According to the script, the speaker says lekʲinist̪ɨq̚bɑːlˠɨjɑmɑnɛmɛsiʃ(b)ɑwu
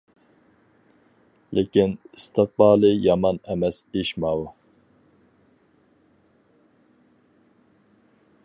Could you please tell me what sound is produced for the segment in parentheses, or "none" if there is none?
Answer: m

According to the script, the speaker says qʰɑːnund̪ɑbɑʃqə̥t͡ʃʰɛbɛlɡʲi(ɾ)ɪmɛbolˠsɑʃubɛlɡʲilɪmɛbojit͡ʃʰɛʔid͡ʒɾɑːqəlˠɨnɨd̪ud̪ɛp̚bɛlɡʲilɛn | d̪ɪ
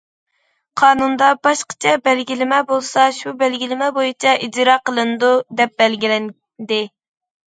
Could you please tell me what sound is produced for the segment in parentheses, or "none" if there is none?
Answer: l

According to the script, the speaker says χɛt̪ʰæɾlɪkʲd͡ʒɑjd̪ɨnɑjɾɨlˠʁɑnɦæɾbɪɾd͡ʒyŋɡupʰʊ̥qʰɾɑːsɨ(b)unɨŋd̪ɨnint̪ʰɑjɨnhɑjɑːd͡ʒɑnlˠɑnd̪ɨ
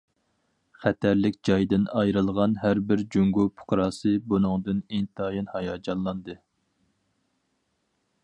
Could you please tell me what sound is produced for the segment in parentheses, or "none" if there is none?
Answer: b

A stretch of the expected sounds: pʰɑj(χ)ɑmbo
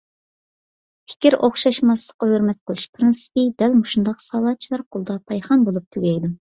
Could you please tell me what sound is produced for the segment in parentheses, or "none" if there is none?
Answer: χ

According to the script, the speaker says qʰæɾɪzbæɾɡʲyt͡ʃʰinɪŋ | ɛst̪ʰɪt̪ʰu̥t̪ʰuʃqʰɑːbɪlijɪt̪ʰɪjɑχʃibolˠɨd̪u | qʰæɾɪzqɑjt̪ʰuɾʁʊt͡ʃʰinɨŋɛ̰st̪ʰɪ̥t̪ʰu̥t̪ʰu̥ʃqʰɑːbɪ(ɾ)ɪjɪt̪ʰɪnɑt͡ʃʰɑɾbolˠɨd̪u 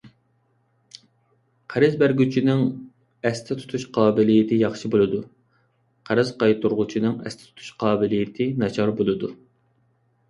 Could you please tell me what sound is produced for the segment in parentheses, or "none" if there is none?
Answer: l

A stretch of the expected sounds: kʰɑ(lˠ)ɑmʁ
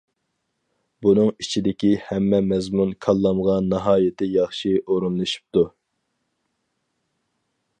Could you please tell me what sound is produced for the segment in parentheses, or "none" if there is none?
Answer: lˠː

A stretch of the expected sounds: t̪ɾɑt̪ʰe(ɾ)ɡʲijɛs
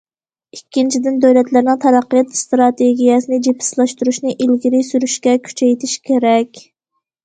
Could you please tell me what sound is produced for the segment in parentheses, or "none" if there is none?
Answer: none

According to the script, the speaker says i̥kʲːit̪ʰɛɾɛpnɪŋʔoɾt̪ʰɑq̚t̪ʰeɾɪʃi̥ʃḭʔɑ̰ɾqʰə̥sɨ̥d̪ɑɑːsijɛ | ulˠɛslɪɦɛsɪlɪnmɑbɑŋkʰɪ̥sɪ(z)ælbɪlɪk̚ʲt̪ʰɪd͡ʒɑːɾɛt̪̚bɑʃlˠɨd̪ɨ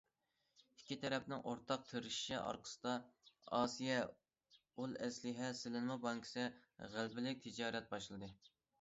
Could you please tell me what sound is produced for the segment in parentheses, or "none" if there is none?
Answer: ʁ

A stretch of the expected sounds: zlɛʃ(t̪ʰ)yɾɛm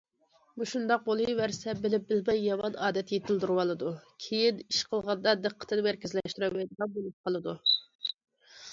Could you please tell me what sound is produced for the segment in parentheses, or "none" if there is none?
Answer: t̪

